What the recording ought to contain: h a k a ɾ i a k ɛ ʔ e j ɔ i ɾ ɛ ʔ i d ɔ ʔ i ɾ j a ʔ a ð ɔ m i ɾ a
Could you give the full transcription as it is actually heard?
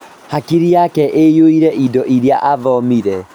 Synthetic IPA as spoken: h a k i ɾ i a k ɛ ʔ e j o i ɾ ɛ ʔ i d ɔ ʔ i ɾ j a ʔ a ð ɔ m i ɾ ɛ